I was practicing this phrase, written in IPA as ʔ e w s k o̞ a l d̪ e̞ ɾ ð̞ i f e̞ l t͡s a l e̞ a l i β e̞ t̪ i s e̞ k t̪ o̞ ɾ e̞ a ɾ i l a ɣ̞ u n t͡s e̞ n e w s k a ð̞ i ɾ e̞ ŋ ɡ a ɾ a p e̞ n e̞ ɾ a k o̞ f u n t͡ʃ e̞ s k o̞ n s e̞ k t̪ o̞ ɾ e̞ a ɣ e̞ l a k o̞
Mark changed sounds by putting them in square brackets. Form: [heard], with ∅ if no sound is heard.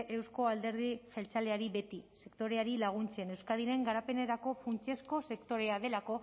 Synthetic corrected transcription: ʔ e w s k o̞ a l d̪ e̞ ɾ ð̞ i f e̞ l t͡s a l e̞ a [ɾ] i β e̞ t̪ i s e̞ k t̪ o̞ ɾ e̞ a ɾ i l a ɣ̞ u n t͡s e̞ n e w s k a ð̞ i ɾ e̞ ŋ ɡ a ɾ a p e̞ n e̞ ɾ a k o̞ f u n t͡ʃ e̞ s k o̞ [∅] s e̞ k t̪ o̞ ɾ e̞ a [ð] e̞ l a k o̞